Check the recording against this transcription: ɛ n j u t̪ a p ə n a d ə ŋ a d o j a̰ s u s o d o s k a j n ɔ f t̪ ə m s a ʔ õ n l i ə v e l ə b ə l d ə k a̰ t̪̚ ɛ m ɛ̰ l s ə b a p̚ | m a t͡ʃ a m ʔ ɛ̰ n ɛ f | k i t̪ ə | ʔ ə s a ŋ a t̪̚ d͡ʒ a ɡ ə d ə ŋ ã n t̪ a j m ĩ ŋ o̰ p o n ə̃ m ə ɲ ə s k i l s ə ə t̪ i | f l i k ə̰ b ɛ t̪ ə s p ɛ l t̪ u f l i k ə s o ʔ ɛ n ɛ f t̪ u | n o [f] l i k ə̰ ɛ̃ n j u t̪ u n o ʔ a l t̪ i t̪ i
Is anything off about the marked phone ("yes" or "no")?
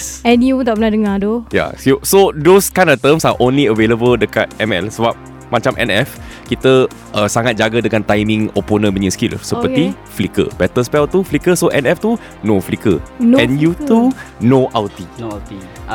no